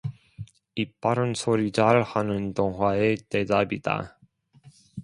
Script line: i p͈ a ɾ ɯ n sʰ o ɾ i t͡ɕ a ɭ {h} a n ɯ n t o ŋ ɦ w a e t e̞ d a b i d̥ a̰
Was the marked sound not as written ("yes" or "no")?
no